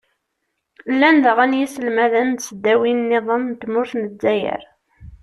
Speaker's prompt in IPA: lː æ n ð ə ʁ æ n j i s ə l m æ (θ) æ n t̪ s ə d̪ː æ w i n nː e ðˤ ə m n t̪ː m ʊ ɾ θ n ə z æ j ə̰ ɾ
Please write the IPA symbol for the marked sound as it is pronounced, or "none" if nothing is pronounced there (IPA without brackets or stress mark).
ð